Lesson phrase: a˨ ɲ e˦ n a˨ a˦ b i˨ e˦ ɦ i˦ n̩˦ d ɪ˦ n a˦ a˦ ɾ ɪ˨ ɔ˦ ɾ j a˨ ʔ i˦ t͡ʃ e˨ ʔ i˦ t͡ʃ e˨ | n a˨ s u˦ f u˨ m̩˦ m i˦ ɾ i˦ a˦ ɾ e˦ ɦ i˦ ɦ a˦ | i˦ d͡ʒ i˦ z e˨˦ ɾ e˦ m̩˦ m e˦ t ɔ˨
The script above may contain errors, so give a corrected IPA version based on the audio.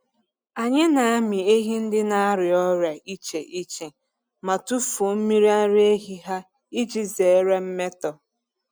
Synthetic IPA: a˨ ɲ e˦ n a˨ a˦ m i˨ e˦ ɦ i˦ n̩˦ d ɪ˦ n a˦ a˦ ɾ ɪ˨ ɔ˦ ɾ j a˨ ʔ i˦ t͡ʃ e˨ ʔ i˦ t͡ʃ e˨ | m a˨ t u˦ f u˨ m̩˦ m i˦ ɾ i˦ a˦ ɾ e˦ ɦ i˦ ɦ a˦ | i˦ d͡ʒ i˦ z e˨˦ ɾ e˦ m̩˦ m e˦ t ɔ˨